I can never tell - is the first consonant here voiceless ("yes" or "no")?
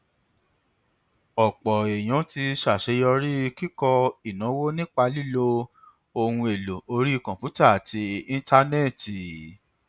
yes